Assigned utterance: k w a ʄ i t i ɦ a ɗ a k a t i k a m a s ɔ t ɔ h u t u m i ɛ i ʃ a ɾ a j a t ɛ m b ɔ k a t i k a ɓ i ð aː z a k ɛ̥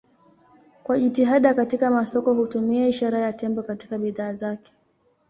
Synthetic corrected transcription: k w a ʄ i t i ɦ a ɗ a k a t i k a m a s ɔ k ɔ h u t u m i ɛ i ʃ a ɾ a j a t ɛ m b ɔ k a t i k a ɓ i ð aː z a k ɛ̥